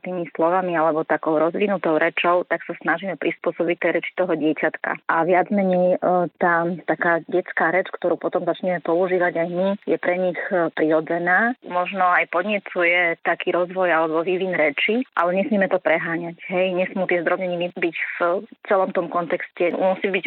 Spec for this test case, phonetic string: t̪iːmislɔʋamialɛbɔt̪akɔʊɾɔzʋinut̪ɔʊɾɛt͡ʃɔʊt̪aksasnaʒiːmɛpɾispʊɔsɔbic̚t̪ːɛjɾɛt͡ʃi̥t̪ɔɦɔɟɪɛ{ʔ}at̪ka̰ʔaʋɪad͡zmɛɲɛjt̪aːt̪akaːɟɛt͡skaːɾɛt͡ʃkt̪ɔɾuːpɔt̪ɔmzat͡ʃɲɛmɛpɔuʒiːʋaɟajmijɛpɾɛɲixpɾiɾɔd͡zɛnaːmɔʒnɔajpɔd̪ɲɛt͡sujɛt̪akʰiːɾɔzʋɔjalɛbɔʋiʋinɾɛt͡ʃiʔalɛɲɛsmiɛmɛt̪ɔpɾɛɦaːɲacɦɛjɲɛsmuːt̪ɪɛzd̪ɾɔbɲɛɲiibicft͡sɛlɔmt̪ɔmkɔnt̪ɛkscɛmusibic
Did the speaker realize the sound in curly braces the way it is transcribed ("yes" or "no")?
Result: no